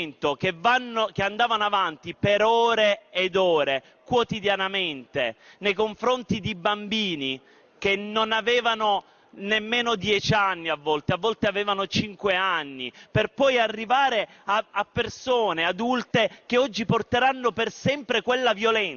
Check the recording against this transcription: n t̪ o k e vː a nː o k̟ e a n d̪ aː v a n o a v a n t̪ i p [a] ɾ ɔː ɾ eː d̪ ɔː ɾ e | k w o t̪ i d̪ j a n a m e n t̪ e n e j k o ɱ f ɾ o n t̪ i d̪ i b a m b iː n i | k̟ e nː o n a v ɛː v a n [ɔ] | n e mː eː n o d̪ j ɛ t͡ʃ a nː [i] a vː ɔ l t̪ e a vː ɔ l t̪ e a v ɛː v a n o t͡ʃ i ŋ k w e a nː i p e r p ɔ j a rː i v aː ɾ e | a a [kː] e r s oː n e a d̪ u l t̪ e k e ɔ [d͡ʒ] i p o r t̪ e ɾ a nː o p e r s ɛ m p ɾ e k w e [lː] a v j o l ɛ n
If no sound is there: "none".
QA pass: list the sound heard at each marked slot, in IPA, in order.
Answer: e, o, i, pː, d͡ʒː, lː

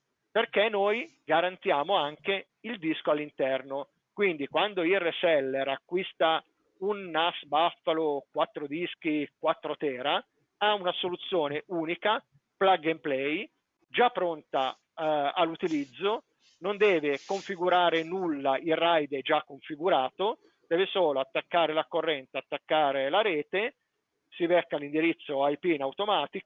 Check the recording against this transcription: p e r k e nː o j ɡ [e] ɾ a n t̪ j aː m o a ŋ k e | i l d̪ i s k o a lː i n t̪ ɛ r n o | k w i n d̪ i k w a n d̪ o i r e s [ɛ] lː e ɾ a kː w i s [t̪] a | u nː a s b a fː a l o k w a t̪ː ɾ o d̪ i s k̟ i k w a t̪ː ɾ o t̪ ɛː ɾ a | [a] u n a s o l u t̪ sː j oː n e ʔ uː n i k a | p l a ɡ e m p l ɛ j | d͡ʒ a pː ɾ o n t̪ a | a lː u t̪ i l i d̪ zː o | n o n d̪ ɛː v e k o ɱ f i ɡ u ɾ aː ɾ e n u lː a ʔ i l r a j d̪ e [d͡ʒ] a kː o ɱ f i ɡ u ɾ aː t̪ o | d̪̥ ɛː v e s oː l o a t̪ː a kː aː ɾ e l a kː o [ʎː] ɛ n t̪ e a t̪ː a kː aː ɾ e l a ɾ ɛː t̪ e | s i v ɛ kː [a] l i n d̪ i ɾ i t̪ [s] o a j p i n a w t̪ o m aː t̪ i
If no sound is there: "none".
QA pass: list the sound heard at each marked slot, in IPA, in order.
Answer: a, ɛ, t̪, a, d͡ʒ, rː, a, sː

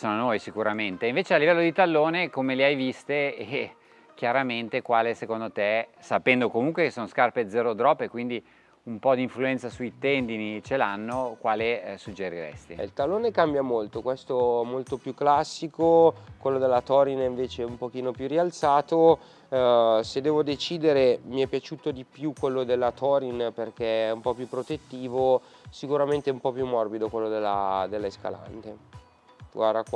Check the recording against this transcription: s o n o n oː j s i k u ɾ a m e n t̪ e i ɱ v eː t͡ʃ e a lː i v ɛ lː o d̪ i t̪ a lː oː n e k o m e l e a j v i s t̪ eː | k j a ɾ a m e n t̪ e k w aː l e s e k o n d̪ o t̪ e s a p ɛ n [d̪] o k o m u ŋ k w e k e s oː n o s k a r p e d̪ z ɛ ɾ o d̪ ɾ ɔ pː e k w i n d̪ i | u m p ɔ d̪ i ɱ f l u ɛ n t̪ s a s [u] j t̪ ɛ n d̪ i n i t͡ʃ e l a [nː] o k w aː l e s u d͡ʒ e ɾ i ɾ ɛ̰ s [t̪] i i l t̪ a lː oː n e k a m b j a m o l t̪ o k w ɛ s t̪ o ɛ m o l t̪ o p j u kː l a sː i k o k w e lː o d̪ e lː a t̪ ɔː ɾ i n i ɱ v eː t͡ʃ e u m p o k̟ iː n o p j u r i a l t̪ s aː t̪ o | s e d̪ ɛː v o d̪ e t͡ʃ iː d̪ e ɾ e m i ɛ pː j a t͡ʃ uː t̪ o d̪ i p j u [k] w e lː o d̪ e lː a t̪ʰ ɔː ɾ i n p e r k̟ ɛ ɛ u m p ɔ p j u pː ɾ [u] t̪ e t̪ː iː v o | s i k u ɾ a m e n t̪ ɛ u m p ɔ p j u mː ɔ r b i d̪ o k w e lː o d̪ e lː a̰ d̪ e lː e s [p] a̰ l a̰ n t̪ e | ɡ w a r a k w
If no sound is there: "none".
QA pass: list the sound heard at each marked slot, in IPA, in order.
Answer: d̪, u, nː, t̪, k, o, k

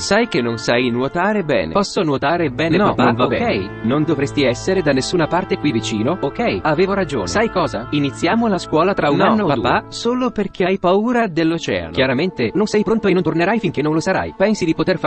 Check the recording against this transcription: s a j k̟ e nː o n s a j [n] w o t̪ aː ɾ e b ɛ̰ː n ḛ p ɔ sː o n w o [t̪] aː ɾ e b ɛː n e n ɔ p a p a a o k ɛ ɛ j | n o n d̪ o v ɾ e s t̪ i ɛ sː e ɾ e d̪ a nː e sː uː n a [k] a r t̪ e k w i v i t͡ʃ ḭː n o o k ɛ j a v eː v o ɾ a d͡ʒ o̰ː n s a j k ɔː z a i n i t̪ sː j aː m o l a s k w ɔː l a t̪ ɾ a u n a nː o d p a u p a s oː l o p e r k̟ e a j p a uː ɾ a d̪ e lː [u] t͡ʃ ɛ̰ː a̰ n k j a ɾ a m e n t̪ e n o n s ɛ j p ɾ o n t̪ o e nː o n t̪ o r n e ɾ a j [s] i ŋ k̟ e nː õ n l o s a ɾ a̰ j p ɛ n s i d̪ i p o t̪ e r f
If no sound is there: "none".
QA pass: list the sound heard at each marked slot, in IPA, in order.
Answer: n, t̪, p, o, f

